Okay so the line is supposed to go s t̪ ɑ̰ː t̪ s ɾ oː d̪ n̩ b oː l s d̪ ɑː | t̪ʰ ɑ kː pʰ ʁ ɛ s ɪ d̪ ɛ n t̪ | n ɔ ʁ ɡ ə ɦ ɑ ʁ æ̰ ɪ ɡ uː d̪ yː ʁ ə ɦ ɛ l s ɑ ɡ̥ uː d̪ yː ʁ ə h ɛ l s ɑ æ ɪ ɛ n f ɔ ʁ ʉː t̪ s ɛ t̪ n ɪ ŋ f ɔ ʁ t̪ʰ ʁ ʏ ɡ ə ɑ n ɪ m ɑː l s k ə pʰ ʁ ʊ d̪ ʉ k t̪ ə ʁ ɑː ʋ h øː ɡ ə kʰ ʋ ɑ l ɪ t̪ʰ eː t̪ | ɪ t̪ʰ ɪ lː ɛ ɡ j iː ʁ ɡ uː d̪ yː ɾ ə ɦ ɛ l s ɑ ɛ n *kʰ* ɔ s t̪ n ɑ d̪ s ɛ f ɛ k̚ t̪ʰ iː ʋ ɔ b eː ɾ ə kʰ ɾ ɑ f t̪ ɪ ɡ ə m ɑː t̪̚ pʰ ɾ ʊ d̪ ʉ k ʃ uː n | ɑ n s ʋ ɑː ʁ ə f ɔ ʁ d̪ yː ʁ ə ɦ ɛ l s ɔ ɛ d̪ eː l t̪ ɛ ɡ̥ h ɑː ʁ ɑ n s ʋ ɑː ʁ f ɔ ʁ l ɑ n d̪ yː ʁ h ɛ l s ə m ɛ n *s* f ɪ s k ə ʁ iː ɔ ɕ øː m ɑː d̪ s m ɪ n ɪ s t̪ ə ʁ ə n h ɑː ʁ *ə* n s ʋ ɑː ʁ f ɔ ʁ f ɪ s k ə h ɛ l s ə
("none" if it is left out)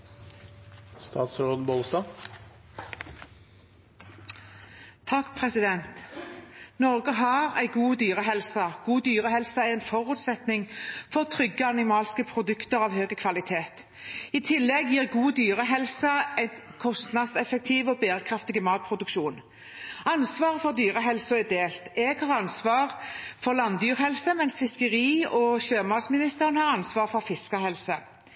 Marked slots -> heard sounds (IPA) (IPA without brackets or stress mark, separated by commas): kʰ, s, ɑ